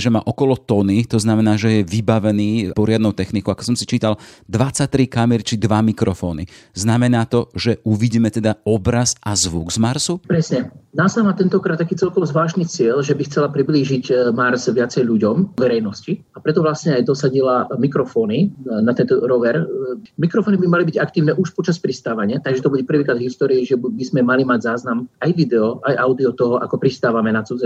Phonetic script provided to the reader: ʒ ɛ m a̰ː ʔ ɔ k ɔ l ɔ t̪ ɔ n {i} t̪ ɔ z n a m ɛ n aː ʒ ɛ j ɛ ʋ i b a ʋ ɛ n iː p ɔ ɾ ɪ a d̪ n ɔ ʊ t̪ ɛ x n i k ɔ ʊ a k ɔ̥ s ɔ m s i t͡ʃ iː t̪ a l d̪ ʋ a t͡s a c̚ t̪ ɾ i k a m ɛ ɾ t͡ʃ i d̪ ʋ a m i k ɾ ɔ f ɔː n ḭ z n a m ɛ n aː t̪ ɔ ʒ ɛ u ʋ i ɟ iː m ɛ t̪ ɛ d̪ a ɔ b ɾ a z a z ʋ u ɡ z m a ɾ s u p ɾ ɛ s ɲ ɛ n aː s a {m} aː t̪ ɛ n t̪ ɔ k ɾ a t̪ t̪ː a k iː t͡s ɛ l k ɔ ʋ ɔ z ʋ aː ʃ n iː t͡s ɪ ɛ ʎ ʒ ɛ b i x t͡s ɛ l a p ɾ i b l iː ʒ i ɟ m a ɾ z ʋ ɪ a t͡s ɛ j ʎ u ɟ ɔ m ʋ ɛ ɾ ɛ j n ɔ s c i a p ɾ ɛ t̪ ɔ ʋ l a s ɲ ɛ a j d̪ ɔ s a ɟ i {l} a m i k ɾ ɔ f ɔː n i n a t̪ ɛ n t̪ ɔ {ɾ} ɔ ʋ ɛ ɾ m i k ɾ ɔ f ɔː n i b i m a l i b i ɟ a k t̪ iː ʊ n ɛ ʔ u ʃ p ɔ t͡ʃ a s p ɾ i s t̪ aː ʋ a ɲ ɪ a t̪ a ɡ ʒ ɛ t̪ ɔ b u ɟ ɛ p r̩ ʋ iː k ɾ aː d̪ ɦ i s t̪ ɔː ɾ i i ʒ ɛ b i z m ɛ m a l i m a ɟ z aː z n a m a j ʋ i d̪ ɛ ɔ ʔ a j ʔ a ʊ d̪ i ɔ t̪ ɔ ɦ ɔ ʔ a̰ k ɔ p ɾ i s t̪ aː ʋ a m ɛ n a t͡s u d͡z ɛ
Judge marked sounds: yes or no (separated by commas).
yes, yes, yes, yes